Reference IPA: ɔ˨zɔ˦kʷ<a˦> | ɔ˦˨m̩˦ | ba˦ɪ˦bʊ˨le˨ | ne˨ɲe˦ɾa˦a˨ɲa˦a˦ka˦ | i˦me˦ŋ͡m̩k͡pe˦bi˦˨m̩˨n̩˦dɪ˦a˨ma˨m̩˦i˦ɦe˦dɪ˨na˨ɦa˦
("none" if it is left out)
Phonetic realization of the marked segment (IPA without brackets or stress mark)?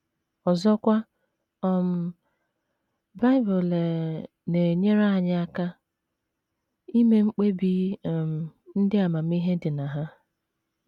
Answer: a˦